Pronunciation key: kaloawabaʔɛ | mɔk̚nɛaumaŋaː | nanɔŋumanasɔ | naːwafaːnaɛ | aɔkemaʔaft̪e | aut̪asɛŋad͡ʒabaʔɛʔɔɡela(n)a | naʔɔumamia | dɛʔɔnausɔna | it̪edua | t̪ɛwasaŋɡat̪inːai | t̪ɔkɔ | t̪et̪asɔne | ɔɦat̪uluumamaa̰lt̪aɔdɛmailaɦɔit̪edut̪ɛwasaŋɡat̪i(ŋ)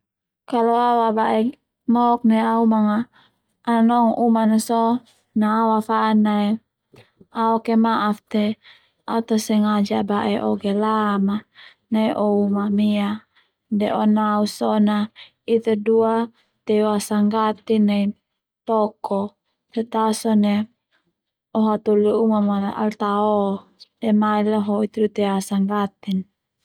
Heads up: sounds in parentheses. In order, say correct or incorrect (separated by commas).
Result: incorrect, incorrect